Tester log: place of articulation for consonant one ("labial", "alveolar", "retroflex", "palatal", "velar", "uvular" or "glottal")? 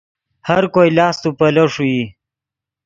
glottal